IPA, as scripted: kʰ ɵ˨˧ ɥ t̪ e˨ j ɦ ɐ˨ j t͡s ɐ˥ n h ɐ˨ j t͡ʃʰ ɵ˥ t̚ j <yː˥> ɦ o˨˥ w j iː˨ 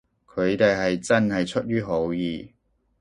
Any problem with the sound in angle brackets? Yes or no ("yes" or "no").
no